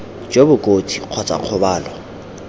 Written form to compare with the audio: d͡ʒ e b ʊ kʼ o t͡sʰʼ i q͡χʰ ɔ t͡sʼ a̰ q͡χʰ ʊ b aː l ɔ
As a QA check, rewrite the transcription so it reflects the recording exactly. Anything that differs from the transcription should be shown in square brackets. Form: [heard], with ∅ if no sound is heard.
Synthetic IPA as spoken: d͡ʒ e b ʊ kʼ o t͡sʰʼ i q͡χʰ ɔ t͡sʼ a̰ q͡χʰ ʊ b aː l ɔ